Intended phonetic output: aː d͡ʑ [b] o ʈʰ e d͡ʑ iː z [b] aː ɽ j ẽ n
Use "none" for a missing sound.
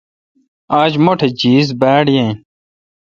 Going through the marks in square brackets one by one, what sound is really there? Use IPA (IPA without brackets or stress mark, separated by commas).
m, b